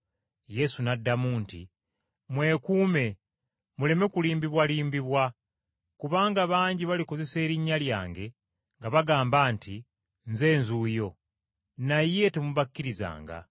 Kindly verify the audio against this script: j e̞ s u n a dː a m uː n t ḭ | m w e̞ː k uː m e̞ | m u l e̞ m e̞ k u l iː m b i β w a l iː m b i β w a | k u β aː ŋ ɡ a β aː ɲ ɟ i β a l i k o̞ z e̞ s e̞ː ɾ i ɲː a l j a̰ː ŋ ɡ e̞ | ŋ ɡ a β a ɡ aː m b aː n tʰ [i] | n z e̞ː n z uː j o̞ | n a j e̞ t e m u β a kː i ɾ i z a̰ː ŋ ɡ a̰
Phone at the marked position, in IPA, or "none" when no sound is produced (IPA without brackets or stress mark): i